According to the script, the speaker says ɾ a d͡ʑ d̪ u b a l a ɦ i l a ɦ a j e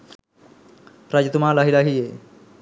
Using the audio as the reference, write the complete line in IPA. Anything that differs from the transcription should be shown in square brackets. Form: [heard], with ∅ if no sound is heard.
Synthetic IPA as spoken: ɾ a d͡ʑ [t̪] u [m] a l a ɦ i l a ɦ [i] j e